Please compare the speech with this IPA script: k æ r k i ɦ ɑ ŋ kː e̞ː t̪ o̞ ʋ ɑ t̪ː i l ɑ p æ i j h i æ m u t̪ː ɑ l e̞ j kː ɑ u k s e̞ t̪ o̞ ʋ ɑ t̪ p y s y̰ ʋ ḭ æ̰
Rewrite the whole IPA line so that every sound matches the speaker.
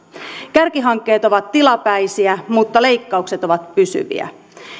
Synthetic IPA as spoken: k æ r k i ɦ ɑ ŋ kː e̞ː t̪ o̞ ʋ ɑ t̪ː i l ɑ p æ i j s i æ m u t̪ː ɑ l e̞ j kː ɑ u k s e̞ t̪ o̞ ʋ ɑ t̪ p y s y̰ ʋ ḭ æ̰